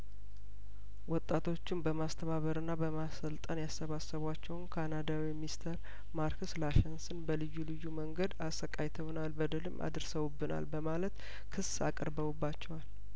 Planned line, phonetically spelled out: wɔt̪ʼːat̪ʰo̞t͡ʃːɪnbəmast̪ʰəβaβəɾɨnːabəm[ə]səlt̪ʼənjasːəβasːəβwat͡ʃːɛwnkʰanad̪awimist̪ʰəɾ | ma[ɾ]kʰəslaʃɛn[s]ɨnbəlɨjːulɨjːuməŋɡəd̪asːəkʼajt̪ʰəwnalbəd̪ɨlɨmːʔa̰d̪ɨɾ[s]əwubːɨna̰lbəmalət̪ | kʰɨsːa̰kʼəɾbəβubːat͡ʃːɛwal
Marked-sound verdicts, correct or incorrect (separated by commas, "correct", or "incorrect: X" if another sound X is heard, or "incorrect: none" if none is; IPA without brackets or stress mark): incorrect: a, correct, correct, correct